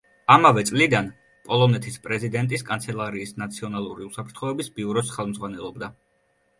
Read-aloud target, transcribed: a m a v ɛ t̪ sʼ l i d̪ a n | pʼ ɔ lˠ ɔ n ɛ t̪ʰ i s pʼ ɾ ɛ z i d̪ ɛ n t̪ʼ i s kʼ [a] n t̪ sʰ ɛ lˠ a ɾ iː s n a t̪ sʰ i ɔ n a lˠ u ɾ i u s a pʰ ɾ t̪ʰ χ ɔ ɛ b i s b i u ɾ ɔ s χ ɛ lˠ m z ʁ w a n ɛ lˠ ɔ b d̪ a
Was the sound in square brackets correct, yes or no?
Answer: yes